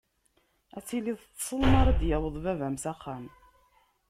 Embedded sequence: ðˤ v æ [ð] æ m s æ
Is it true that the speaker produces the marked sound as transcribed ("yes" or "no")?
no